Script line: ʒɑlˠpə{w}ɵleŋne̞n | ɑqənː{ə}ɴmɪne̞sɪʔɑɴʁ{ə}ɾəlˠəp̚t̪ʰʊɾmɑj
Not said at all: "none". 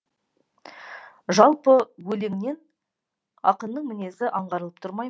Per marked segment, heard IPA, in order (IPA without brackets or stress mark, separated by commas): w, ə, ɑ